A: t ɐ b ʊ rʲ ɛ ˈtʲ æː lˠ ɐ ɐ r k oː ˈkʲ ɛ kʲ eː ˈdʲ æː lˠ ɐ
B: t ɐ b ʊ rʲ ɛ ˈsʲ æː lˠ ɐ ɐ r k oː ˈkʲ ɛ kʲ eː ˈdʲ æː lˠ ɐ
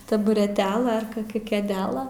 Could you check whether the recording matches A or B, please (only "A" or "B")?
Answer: A